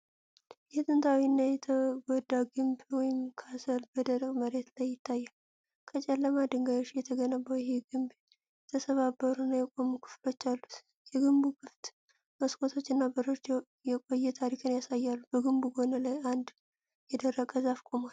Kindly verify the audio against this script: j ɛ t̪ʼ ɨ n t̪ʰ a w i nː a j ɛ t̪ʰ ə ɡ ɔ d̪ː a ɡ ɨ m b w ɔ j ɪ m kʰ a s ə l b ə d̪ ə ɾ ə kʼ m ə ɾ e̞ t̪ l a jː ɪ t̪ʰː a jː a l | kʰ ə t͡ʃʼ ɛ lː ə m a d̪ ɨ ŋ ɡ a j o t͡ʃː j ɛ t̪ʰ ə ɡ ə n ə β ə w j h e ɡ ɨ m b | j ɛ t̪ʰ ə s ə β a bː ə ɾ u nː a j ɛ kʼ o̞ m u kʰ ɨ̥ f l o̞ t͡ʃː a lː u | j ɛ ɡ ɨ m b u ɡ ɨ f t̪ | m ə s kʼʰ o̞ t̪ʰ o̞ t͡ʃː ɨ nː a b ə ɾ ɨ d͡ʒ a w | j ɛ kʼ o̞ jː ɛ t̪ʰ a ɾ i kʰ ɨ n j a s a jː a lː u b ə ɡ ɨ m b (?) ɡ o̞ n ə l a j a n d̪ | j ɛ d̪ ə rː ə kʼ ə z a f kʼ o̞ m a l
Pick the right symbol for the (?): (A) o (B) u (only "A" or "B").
B